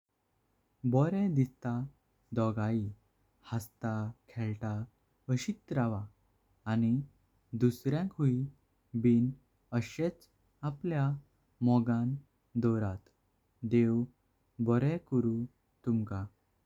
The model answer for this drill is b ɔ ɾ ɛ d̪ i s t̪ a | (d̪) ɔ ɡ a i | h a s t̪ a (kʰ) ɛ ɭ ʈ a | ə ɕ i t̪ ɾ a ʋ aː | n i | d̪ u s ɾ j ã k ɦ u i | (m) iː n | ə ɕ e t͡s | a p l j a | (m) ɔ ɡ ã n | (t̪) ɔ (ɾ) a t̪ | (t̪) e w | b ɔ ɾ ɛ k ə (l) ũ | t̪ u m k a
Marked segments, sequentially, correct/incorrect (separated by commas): correct, correct, incorrect, correct, incorrect, correct, incorrect, incorrect